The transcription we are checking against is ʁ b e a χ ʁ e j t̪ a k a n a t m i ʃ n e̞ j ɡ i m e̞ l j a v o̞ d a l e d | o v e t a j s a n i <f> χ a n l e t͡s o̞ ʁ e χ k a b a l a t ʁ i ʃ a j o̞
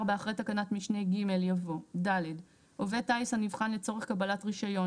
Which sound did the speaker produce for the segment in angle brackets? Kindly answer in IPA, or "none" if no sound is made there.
v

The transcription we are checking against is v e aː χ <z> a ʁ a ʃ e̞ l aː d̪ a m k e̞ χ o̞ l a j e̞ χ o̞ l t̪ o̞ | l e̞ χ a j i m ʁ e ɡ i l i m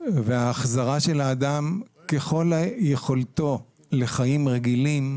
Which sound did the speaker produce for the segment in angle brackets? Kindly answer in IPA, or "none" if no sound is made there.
z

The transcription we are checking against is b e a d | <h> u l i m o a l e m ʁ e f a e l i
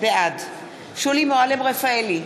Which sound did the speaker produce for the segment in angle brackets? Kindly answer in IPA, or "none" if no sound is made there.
ʃ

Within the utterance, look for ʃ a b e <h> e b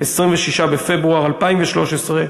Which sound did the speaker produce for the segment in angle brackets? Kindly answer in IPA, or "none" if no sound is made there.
f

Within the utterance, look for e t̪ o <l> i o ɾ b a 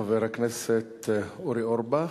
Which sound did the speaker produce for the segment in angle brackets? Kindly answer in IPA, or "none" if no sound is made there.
ɾ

